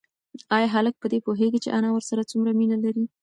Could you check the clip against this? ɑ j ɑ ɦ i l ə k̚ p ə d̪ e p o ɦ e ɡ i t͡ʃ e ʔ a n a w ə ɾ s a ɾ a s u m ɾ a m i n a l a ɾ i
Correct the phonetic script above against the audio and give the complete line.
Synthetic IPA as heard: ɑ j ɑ ɦ a l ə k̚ p ə d̪ e p o ɦ e ɡ i t͡ʃ e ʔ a n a w ə ɾ s a ɾ a t͡s u m ɾ a m i n a l a ɾ i

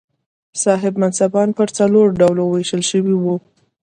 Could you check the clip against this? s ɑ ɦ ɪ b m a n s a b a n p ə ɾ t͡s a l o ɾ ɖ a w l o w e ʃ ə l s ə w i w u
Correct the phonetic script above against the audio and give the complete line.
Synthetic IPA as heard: s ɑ ɦ ɪ b m a n s a b ɑ n p ə ɾ t͡s a l o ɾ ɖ a w l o w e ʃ ə l ʃ ə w i w u

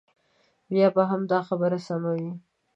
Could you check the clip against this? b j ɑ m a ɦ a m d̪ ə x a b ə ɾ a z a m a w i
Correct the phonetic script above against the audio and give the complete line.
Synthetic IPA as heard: b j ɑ b a ɦ a m d̪ ɑ x a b ə ɾ a s a m a w i

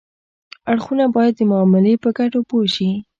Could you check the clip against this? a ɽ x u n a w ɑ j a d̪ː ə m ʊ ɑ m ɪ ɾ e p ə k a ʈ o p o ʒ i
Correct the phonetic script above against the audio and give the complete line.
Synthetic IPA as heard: a ɽ x u n a b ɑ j a d̪ː ə m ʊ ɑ m ɪ l e p ə ɡ a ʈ o p o ʃ i

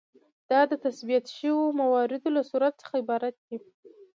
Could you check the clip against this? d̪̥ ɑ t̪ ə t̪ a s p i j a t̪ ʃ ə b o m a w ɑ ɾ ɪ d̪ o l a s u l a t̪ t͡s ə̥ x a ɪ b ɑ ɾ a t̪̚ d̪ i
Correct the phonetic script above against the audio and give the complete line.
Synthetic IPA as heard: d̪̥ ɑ d̪ ə t̪ a s b i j a t̪ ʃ ə w o m a w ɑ ɾ ɪ d̪ o l a s u ɾ a t̪ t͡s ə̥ x a ɪ b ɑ ɾ a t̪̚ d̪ i

